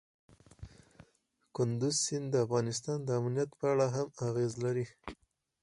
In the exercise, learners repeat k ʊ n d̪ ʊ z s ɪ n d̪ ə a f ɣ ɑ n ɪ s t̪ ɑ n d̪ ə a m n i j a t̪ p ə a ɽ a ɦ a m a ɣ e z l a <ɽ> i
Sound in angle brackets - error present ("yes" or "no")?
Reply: yes